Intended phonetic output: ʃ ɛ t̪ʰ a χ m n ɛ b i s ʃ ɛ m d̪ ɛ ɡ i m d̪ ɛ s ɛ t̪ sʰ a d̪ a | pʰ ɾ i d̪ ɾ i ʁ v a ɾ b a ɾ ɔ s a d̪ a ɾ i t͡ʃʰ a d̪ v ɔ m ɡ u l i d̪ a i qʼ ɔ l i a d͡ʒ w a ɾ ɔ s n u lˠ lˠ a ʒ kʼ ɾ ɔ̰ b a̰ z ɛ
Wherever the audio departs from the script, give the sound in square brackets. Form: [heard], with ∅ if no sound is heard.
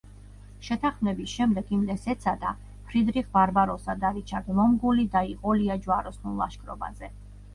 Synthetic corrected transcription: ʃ ɛ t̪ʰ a χ m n ɛ b i s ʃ ɛ m d̪ ɛ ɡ i m d̪ ɛ s ɛ t̪ sʰ a d̪ a | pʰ ɾ i d̪ ɾ i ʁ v a ɾ b a ɾ ɔ s a d̪ a ɾ i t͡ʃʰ a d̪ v ɔ m ɡ u l i d̪ a i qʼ ɔ l i a d͡ʒ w a ɾ ɔ s n u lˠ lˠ a [ʃ] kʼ ɾ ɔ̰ b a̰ z ɛ